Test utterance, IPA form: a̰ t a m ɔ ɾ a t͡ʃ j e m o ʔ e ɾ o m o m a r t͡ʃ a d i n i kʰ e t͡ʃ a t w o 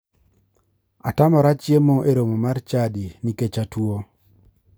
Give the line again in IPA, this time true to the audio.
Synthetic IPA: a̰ t a m ɔ ɾ a t͡ʃ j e m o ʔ e ɾ o m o m a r t͡ʃ a d i n i k e t͡ʃ a t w o